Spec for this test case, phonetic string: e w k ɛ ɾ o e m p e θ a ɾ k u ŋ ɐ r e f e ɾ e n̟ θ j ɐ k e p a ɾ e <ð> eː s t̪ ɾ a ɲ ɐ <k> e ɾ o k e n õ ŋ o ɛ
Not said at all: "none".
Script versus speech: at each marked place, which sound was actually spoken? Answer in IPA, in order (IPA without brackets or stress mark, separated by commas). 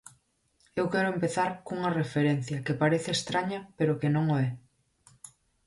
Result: θ, p